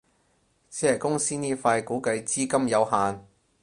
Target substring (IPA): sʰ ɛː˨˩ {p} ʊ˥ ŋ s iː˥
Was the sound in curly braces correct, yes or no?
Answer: no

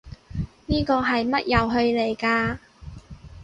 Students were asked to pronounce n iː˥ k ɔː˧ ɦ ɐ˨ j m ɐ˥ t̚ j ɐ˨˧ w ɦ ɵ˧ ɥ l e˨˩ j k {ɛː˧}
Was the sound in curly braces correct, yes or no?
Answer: no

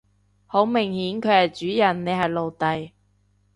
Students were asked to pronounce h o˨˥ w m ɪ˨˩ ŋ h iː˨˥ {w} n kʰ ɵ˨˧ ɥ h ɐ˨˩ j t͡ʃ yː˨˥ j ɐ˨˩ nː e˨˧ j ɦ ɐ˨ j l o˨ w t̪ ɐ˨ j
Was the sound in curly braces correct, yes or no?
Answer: no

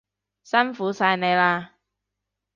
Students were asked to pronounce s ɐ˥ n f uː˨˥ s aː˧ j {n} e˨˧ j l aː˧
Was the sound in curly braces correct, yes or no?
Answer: yes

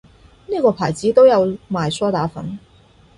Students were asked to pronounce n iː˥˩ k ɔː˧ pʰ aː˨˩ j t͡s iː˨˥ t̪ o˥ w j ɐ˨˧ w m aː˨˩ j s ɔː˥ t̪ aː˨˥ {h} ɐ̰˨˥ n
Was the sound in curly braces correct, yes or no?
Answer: no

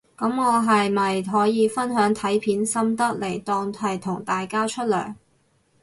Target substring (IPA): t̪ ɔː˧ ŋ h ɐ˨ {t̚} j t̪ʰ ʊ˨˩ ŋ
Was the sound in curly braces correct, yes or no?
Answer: no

